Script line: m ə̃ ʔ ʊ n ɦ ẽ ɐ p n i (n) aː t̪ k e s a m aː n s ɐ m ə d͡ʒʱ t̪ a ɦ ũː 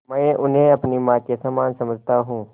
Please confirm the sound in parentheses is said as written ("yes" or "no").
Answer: no